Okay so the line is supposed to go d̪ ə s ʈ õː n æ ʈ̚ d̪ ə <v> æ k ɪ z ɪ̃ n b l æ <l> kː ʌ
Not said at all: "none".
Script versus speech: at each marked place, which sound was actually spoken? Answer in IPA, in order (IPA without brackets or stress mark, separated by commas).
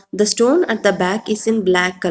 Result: b, none